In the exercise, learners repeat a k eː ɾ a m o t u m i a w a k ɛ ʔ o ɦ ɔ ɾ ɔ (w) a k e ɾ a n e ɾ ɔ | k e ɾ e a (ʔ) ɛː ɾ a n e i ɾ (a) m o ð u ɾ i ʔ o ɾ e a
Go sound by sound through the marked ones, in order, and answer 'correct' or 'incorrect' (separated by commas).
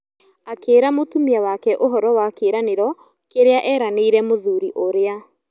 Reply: correct, correct, incorrect